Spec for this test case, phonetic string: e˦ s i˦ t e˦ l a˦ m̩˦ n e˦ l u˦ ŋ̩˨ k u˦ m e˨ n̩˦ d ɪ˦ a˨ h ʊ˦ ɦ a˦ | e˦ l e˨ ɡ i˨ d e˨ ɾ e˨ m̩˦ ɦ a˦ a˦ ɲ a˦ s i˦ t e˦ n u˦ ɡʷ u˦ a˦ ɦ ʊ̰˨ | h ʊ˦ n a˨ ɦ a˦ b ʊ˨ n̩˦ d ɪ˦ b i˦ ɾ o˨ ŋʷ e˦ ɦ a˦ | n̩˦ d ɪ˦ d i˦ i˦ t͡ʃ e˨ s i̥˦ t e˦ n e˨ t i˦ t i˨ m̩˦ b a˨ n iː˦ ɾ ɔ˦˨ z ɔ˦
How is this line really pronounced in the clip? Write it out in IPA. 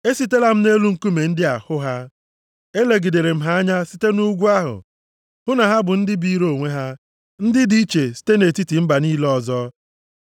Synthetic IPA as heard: e˦ s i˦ t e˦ l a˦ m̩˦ n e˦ l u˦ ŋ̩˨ k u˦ m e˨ n̩˦ d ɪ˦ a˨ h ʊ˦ ɦ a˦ | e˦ l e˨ ɡ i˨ d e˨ ɾ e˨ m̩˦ ɦ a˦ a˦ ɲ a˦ s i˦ t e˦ n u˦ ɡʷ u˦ a˦ ɦ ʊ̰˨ | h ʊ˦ n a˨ ɦ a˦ b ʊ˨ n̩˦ d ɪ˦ b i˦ ɾ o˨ ŋʷ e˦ ɦ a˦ | n̩˦ d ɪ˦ d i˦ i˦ t͡ʃ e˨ s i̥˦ t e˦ n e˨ t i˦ t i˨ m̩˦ b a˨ n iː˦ l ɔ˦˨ z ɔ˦